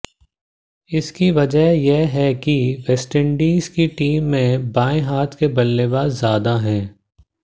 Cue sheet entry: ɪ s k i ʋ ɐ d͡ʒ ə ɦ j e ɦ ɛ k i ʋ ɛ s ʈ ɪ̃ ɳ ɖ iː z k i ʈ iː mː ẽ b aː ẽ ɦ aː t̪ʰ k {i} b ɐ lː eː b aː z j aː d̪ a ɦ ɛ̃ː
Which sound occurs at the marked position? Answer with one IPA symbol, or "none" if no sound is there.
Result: e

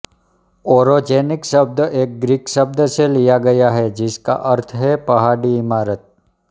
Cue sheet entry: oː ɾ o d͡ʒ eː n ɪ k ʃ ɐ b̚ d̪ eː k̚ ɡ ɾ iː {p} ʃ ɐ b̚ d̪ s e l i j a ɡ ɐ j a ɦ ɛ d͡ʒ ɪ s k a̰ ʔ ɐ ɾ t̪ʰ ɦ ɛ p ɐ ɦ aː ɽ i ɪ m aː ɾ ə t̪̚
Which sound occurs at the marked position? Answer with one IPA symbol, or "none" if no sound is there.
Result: k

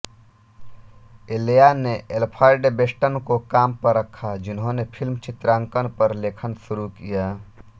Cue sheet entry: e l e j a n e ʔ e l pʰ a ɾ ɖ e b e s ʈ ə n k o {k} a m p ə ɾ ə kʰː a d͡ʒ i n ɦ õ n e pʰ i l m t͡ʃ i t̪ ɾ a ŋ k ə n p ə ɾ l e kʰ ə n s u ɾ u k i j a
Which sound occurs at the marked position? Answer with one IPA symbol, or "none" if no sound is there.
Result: k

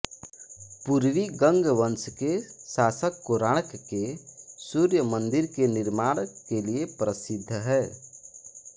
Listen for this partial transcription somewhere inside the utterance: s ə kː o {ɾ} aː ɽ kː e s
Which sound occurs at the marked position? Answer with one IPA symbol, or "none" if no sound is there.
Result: ɾ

